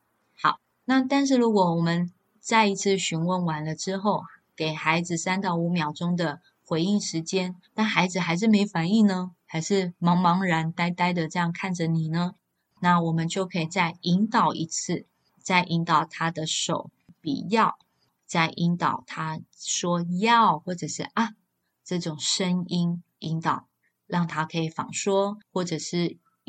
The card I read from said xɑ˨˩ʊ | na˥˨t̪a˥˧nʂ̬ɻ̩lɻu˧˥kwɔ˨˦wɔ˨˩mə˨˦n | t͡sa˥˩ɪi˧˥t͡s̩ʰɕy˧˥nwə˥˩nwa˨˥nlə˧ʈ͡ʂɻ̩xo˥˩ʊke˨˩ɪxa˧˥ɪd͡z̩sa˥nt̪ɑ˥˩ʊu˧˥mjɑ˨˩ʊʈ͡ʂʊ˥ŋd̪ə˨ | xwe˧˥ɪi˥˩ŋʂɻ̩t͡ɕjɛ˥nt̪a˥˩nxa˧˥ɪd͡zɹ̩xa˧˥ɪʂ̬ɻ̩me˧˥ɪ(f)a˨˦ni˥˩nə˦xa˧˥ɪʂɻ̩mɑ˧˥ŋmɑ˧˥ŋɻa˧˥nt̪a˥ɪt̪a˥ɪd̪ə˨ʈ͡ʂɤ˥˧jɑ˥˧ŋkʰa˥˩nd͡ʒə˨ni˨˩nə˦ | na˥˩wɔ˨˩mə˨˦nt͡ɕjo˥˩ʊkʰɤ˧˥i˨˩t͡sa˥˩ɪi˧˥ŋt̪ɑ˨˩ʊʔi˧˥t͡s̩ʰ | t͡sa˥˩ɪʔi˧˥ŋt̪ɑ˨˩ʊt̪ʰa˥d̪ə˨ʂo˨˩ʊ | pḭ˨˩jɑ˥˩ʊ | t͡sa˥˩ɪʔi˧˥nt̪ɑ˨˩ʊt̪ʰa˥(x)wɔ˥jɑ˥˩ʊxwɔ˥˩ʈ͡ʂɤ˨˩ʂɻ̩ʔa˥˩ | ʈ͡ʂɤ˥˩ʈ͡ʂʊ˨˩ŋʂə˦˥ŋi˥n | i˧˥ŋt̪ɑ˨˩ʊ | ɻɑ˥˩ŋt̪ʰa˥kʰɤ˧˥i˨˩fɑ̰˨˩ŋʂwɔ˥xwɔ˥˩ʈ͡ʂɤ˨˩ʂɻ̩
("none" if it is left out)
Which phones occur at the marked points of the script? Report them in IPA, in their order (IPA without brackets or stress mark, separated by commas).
f, ʂ